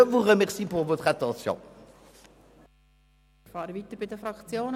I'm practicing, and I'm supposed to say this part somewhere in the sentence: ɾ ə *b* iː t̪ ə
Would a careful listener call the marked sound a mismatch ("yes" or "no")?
yes